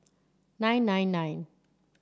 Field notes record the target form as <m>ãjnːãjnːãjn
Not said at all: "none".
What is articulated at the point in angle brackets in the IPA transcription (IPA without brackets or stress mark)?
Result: n